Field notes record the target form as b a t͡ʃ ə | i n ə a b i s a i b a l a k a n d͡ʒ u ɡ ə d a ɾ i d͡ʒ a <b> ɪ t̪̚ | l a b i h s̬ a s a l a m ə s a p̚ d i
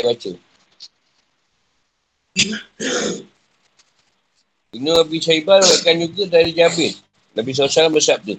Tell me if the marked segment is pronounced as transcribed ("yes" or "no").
yes